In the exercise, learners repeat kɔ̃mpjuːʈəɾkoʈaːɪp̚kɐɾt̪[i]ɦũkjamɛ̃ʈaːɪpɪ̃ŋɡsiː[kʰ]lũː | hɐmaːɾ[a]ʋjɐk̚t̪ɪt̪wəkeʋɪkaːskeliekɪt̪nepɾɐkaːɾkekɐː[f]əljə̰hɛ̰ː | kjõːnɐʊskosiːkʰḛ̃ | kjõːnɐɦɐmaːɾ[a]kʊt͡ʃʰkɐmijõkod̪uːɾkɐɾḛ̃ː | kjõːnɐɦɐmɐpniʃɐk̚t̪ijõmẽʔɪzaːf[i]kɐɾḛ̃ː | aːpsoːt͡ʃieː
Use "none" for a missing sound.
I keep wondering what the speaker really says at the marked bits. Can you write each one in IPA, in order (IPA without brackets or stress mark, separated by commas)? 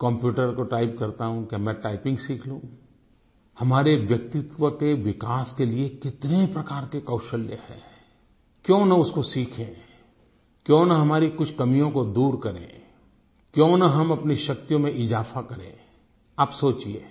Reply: a, kʰ, e, ʃ, i, a